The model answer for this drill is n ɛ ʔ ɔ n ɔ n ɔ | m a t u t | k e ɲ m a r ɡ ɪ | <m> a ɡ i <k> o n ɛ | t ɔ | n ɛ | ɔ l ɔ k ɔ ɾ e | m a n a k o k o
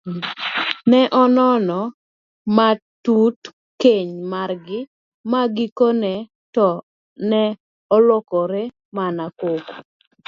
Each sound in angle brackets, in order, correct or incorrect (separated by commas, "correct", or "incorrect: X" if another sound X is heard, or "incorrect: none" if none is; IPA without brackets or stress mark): correct, correct